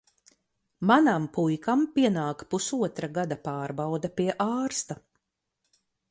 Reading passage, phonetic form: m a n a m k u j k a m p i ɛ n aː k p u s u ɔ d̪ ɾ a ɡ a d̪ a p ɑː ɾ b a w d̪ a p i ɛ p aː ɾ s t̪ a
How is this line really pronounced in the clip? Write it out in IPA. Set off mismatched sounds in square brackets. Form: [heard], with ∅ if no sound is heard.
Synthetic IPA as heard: m a n a m [p] u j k a m p i ɛ n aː k p u s u ɔ [t̪] ɾ a ɡ a d̪ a p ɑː ɾ b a w d̪ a p i ɛ [ʔ] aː ɾ s t̪ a